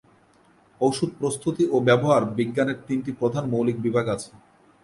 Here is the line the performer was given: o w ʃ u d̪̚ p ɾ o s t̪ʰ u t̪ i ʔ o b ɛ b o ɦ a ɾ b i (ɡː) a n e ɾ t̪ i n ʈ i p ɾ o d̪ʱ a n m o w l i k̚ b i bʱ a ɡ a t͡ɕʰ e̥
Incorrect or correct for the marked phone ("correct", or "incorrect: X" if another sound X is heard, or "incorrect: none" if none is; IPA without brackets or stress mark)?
correct